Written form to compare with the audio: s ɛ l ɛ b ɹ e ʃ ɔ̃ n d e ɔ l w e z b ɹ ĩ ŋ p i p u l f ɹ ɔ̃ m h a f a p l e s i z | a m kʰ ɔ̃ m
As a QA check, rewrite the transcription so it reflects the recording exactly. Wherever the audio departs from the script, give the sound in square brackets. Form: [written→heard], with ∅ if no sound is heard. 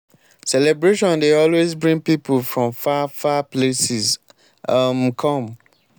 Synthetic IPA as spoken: s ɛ l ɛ b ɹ e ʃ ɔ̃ n d e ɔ l w e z b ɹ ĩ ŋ p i p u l f ɹ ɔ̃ m [h→f] a f a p l e s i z | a m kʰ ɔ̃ m